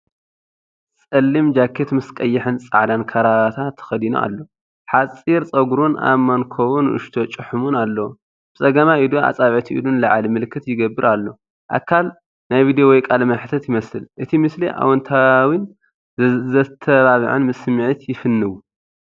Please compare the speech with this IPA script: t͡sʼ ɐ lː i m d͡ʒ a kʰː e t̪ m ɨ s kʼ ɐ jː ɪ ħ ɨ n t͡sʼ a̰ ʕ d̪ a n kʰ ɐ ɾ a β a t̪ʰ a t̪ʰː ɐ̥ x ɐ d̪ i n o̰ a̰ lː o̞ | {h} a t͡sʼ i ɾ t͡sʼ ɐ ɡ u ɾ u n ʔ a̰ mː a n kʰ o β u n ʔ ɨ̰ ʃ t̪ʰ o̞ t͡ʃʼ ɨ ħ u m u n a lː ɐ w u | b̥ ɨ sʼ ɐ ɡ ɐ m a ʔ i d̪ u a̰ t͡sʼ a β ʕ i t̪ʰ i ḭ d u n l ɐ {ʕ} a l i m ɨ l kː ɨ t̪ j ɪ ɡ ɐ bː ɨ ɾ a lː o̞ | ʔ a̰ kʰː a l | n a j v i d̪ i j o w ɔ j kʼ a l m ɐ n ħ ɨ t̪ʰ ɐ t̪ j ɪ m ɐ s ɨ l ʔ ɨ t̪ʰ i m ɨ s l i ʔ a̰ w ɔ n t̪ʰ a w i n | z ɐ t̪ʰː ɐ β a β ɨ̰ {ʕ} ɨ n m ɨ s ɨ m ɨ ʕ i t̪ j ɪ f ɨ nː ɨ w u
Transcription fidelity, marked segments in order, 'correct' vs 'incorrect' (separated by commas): incorrect, correct, correct